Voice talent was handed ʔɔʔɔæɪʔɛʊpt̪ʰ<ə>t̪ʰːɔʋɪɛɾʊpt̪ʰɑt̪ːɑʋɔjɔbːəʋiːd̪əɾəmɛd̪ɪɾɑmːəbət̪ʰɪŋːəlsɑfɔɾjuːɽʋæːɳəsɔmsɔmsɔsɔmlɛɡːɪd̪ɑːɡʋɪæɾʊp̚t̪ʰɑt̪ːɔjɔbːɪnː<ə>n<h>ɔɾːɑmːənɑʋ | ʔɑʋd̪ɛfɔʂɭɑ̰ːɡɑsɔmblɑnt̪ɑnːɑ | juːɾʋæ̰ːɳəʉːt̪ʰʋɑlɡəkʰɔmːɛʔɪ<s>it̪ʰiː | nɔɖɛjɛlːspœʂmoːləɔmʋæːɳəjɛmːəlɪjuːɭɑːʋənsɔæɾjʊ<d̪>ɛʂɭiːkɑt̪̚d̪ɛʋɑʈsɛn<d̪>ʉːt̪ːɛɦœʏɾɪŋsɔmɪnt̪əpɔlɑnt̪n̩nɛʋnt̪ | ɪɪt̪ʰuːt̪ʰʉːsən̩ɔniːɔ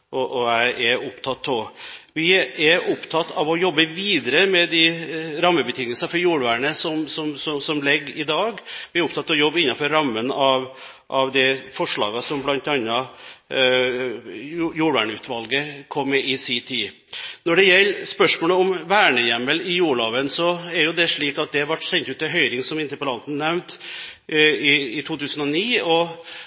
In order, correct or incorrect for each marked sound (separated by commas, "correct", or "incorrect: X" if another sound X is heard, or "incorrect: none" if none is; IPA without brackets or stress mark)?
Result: incorrect: ɑ, incorrect: ɑ, incorrect: f, correct, correct, incorrect: t̪